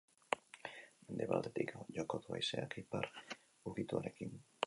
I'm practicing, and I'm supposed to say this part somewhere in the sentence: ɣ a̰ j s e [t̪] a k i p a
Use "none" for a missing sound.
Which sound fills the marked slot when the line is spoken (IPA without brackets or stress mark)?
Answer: none